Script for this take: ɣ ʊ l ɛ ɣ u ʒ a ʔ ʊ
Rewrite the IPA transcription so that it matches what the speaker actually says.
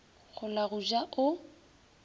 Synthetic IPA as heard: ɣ ʊ l a ɣ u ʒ a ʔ ʊ